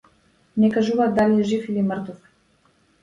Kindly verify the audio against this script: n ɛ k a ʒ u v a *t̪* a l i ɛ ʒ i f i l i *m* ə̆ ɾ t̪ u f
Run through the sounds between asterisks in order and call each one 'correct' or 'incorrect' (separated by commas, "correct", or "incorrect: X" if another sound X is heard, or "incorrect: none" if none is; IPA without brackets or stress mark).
incorrect: d̪, correct